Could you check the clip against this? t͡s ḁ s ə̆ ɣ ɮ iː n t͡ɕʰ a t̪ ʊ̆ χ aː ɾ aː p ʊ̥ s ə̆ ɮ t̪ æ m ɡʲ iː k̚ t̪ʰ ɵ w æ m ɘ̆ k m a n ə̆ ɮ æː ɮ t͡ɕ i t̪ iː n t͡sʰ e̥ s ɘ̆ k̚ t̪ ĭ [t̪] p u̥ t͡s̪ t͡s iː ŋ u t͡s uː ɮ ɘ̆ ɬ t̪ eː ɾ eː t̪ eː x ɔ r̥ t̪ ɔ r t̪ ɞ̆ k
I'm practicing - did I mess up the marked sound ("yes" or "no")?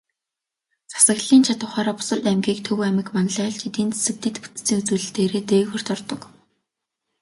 no